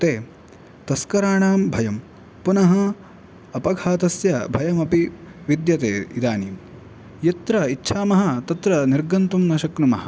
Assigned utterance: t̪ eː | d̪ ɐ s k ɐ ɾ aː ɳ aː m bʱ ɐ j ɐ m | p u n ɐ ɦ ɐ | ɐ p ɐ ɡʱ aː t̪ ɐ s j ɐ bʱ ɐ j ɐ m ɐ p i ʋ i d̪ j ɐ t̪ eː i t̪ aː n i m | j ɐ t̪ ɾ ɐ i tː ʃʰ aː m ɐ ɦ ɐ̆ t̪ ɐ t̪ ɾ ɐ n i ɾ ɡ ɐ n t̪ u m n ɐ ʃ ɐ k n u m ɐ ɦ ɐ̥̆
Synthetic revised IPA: t̪ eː | t̪ ɐ s k ɐ ɾ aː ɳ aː m bʱ ɐ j ɐ m | p u n ɐ ɦ ɐ | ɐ p ɐ ɡʱ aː t̪ ɐ s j ɐ bʱ ɐ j ɐ m ɐ p i ʋ i d̪ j ɐ t̪ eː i d̪ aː n i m | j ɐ t̪ ɾ ɐ i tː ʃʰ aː m ɐ ɦ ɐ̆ t̪ ɐ t̪ ɾ ɐ n i ɾ ɡ ɐ n t̪ u m n ɐ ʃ ɐ k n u m ɐ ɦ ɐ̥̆